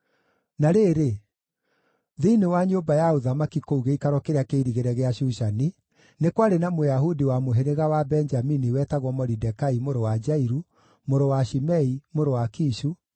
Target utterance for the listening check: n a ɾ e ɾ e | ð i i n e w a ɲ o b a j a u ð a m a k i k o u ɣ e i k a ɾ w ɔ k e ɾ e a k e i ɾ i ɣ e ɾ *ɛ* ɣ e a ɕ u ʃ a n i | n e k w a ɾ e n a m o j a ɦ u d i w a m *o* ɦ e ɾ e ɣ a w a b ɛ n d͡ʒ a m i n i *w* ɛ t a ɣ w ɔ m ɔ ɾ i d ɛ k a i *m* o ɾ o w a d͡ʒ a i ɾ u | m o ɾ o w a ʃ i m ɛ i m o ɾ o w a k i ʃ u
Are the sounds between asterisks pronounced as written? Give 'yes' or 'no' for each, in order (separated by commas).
yes, yes, yes, yes